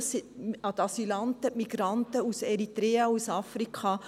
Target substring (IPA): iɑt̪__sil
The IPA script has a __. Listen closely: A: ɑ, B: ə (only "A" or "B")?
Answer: A